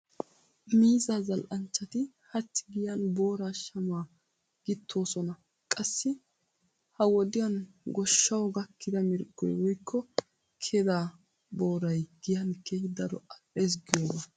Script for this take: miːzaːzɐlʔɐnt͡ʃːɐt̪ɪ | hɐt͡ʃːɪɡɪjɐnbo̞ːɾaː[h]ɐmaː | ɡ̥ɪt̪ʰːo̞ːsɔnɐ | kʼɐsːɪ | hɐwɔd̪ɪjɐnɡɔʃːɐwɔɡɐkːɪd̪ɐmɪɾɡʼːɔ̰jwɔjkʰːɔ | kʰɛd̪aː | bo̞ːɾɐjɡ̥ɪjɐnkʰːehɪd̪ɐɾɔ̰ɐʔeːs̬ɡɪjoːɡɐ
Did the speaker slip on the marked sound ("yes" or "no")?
yes